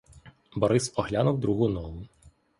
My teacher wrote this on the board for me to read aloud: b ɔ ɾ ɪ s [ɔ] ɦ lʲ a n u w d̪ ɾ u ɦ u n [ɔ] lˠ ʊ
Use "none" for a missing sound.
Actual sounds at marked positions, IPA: ɔ, ɔ

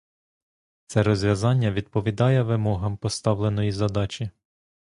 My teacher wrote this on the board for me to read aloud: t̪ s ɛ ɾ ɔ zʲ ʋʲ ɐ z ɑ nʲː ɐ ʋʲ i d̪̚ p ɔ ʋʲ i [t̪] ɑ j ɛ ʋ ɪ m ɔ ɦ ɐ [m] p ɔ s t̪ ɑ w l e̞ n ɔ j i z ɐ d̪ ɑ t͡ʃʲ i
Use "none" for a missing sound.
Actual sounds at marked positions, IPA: d̪, m

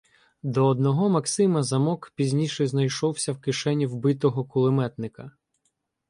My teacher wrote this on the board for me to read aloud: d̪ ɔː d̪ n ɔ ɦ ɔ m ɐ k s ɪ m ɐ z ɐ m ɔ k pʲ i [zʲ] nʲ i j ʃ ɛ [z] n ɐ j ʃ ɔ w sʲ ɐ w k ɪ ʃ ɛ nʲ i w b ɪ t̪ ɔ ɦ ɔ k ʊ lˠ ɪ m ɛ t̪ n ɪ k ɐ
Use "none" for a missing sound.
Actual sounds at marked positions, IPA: zʲ, z

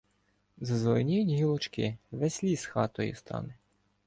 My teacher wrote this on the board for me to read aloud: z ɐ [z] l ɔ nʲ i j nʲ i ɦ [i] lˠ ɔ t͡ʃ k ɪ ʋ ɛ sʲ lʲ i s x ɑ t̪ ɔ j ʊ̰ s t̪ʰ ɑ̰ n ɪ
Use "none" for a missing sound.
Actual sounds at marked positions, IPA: z, i

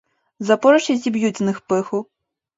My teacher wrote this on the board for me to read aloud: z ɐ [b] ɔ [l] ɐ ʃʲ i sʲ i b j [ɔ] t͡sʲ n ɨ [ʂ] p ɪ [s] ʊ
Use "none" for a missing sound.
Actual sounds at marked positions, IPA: p, ɾ, u, x, x

